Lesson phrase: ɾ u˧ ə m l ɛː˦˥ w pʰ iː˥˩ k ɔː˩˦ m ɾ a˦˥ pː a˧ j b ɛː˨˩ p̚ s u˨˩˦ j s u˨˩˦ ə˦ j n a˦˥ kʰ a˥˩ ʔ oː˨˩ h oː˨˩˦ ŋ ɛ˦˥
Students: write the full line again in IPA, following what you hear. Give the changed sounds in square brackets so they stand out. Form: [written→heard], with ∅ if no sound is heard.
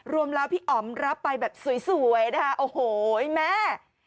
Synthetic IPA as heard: ɾ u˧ ə m l ɛː˦˥ w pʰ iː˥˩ [k→ʔ] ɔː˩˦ m ɾ a˦˥ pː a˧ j b ɛː˨˩ p̚ s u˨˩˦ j s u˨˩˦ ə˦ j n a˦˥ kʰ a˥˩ ʔ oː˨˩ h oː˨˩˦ [ŋ→m] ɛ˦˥